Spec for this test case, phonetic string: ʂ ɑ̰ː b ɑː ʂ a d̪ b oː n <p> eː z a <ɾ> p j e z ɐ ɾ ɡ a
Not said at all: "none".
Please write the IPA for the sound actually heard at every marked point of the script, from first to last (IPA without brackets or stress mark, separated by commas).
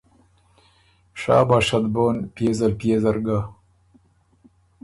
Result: p, l